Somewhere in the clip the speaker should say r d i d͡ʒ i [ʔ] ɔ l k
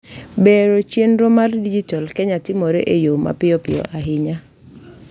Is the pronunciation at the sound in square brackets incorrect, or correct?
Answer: incorrect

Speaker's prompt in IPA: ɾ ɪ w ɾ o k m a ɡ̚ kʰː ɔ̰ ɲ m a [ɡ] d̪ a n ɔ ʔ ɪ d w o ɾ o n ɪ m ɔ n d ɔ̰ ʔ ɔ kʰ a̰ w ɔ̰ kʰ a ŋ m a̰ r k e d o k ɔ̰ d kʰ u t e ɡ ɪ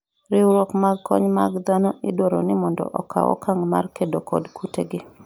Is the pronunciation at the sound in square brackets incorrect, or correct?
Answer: correct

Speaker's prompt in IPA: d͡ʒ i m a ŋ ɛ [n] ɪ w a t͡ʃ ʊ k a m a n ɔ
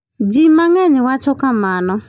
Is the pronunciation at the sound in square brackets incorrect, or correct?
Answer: incorrect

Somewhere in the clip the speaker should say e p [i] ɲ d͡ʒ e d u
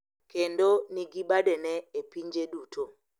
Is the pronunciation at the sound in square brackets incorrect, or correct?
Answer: correct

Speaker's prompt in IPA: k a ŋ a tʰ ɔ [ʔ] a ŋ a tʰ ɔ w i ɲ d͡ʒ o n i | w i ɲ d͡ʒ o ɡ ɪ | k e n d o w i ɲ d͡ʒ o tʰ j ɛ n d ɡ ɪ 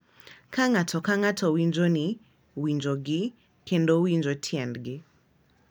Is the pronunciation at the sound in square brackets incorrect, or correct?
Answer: incorrect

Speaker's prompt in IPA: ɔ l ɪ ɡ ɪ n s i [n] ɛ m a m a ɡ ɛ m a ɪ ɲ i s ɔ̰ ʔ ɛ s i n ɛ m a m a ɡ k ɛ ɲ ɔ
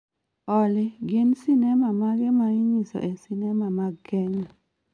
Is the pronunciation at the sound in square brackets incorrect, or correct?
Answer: correct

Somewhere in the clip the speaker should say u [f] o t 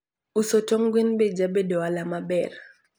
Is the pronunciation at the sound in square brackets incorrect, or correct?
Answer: incorrect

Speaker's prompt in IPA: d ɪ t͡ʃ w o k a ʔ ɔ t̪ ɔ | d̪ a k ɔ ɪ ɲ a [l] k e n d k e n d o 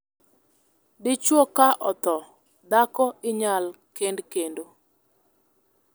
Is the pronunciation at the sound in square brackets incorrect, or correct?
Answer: correct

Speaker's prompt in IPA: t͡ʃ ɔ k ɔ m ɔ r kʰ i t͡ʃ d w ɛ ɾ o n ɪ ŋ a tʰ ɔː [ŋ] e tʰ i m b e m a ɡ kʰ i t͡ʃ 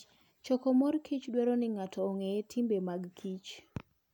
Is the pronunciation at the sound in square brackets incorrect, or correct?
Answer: correct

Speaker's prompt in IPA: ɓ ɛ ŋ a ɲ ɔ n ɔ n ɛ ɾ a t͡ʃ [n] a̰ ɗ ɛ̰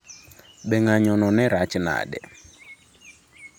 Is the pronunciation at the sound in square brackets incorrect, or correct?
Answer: correct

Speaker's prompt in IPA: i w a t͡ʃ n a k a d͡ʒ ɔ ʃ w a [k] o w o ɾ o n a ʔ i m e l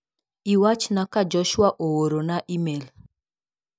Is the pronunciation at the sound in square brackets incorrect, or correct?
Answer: incorrect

